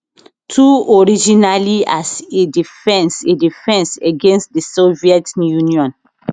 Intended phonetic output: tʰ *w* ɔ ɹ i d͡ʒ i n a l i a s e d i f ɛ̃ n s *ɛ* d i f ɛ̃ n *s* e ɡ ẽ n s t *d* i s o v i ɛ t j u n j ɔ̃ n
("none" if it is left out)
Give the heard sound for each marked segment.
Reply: u, e, s, d

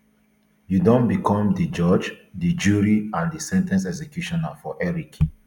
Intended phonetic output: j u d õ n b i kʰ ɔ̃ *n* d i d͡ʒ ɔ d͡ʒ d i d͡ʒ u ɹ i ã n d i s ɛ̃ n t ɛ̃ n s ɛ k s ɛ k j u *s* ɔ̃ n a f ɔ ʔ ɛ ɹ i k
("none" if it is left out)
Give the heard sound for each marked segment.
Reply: m, ʃ

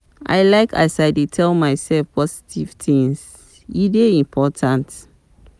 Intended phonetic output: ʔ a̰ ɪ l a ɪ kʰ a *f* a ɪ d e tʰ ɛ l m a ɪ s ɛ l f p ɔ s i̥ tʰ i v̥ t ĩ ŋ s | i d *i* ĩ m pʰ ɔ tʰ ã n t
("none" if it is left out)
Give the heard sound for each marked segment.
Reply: s, e

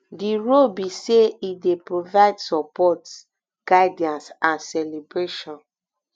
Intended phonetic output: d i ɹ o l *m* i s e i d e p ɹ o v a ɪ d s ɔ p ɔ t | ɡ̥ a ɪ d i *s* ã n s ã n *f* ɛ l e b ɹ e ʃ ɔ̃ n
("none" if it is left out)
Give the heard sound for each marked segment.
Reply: b, none, s

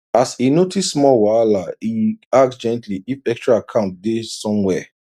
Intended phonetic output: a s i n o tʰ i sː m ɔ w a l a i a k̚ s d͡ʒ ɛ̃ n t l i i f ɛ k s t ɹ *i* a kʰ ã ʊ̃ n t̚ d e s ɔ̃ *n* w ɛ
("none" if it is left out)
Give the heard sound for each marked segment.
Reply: a, m

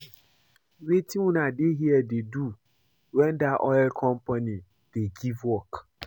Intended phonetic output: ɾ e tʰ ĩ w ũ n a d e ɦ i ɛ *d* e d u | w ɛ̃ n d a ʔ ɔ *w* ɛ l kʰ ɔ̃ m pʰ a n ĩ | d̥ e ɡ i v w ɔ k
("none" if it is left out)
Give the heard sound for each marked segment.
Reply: d, none

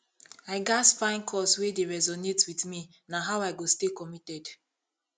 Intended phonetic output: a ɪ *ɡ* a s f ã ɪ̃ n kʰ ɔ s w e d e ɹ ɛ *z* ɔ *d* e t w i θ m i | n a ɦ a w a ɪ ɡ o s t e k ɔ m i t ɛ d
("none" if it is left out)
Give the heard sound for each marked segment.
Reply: ɡ, z, n

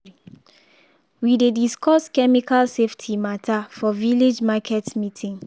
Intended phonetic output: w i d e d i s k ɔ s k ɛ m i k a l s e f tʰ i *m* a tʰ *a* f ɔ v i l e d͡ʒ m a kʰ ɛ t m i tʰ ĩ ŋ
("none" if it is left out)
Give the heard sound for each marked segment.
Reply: m, a

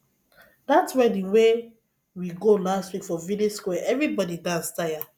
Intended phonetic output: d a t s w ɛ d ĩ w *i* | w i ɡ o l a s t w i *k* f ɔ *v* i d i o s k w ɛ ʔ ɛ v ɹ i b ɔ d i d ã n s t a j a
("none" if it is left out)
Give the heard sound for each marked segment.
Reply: e, k, v

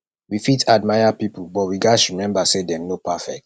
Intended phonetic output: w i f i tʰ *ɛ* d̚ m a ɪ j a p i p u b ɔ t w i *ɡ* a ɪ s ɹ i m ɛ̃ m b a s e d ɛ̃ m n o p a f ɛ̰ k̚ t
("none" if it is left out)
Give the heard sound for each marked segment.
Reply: a, ɡ

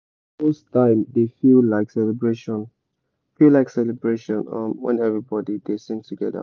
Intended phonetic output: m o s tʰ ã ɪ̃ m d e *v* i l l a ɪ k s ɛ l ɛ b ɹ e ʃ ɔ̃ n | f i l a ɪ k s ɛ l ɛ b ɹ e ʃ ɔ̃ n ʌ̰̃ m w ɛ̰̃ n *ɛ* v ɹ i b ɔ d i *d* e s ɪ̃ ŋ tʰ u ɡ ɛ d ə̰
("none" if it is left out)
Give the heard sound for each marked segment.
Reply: f, ɛ, d

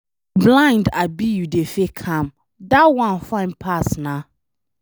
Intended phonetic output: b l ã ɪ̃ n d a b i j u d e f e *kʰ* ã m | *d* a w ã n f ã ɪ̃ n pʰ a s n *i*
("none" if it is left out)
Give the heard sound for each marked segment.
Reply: kʰ, d, a

